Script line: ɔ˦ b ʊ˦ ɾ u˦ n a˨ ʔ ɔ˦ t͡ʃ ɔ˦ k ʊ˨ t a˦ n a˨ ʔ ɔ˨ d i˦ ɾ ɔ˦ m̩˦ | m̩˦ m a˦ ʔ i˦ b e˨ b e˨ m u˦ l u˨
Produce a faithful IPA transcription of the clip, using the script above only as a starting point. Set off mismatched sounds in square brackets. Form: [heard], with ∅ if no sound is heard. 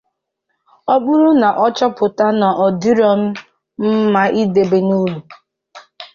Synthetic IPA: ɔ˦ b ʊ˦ ɾ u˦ n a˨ ʔ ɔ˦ t͡ʃ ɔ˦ [p] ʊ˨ t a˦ n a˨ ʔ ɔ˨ d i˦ ɾ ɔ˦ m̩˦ | m̩˦ m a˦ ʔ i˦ [d] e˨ b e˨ [n] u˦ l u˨